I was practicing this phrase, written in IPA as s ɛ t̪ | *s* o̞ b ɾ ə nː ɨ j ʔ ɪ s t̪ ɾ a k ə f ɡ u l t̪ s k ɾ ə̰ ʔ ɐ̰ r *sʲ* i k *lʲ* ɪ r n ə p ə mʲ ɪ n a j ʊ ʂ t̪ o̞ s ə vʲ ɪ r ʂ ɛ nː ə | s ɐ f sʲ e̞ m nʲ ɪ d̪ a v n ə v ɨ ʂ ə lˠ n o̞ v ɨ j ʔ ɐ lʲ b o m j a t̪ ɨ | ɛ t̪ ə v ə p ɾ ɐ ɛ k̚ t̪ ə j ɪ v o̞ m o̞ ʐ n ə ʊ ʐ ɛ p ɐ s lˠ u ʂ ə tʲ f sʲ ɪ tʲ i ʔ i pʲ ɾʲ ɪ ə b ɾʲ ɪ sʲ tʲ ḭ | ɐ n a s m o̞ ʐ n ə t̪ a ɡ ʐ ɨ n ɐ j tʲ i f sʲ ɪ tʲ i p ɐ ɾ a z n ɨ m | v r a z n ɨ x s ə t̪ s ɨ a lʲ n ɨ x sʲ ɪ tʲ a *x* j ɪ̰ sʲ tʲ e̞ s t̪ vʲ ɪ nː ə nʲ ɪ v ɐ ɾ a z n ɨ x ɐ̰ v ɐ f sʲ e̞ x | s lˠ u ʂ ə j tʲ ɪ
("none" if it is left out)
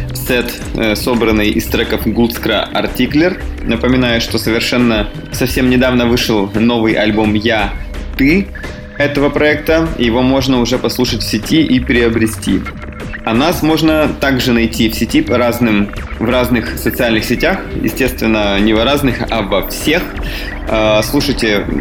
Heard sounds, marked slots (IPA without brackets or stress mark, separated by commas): s, tʲ, lʲ, x